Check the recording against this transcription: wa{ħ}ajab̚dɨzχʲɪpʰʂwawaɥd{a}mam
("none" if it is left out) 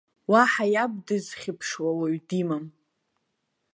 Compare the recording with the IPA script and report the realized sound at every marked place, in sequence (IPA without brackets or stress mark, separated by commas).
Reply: ħ, i